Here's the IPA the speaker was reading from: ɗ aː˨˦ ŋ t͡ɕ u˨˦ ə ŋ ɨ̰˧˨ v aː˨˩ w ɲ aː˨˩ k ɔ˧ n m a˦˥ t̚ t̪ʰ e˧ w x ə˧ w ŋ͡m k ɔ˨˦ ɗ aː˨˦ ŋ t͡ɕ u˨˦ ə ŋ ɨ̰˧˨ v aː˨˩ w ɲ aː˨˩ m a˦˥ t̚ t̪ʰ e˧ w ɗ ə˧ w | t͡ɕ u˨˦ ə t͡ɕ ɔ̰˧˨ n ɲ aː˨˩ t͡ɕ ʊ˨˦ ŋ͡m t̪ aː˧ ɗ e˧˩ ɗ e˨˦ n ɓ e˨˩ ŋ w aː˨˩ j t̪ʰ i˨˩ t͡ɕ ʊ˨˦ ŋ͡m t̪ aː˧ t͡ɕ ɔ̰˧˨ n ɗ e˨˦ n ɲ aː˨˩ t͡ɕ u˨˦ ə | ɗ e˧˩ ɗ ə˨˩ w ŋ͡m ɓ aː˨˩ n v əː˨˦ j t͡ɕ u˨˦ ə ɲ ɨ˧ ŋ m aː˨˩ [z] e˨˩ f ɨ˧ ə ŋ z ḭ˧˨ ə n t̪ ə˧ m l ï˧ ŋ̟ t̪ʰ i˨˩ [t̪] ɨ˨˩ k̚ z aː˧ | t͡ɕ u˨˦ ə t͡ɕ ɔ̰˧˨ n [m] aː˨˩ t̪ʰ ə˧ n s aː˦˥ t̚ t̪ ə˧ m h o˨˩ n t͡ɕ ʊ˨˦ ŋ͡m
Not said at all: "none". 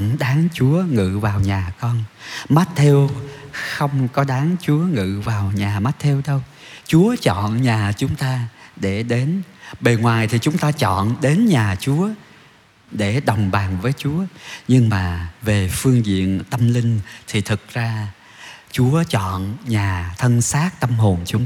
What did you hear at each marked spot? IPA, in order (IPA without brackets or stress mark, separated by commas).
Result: v, t̪ʰ, ɲ